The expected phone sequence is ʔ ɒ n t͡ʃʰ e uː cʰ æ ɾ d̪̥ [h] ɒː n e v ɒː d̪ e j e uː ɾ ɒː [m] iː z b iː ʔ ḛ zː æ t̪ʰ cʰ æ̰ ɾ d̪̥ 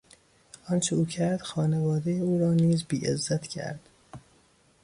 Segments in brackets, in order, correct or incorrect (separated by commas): incorrect, incorrect